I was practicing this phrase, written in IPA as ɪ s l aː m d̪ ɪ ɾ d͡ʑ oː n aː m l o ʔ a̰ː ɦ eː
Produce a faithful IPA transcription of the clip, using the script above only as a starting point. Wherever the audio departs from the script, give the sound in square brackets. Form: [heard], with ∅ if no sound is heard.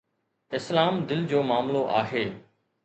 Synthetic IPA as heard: ɪ s l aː m d̪ ɪ [l] d͡ʑ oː [m] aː m l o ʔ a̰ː ɦ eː